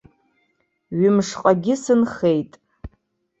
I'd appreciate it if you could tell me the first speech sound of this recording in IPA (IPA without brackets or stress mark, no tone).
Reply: ɥ